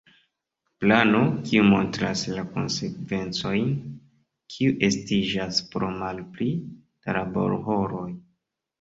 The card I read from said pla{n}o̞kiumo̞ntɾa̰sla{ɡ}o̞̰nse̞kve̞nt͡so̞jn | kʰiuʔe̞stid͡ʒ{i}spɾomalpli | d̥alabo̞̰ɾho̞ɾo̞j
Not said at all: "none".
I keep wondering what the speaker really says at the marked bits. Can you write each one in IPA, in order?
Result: n, k, a

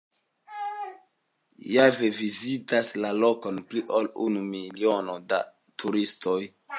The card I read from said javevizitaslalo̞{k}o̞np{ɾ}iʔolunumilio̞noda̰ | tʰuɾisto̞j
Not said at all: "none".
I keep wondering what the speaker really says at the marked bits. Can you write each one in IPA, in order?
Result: k, l

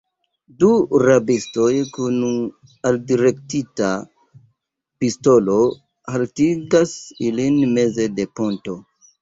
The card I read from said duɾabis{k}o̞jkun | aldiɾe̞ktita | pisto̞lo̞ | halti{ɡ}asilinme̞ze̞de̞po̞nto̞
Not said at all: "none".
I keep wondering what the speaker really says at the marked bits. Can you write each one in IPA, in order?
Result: t, ɡ

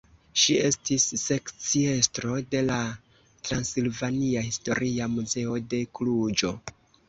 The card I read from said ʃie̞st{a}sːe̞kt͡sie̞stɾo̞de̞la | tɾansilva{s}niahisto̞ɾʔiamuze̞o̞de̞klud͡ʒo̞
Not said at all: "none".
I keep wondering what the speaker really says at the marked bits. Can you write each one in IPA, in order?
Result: i, none

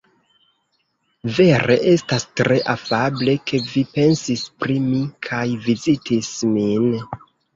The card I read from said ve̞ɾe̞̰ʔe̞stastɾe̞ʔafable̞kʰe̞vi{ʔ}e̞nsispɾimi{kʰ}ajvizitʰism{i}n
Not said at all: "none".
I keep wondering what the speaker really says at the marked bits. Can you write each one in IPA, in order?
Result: p, kʰ, i

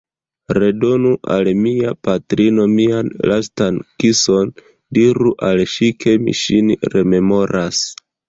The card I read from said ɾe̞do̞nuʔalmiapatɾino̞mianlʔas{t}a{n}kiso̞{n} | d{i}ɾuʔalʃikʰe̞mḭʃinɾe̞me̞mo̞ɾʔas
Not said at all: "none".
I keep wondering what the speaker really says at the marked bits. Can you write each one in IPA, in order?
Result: t, n, n, i

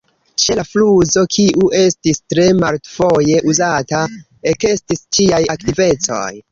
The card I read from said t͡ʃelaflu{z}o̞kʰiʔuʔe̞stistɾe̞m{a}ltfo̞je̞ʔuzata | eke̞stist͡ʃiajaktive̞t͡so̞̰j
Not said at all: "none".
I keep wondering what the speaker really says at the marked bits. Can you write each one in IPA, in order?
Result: z, a

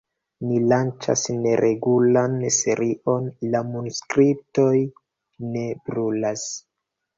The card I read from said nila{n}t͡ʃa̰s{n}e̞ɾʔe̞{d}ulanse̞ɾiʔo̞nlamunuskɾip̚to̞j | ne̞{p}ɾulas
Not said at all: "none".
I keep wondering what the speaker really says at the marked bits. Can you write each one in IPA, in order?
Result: n, n, ɡ, b

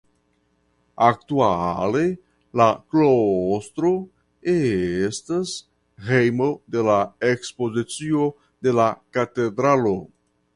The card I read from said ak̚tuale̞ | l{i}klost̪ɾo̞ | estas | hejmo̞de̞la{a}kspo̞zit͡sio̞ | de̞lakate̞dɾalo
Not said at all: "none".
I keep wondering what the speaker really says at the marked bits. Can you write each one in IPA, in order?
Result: a, e

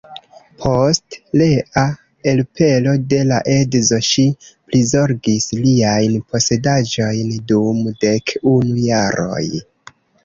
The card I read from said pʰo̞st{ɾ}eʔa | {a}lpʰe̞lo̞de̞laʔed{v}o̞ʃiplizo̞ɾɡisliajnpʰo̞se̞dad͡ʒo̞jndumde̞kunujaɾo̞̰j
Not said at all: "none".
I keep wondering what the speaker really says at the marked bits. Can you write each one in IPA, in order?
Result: l, e, z

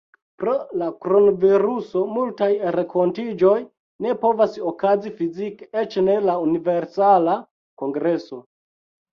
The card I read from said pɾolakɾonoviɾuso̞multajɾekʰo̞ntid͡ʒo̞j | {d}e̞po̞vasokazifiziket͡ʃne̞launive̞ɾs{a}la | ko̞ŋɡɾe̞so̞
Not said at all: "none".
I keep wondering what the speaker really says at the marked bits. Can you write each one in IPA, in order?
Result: n, a

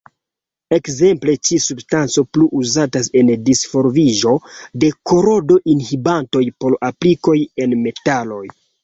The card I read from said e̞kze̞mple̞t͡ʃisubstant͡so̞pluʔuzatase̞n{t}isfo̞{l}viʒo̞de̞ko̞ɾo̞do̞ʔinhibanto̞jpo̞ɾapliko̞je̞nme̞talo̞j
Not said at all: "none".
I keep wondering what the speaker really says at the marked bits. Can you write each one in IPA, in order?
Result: d, ɾ

